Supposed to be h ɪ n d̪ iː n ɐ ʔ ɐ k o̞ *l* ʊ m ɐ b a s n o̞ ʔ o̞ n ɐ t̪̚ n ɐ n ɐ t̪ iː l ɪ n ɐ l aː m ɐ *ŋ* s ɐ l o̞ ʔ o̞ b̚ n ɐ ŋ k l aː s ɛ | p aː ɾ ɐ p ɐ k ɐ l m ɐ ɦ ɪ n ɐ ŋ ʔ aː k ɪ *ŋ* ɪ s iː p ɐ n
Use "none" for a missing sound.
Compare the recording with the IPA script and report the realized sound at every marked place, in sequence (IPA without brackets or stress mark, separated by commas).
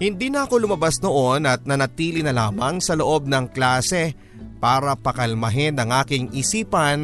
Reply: l, ŋ, ŋ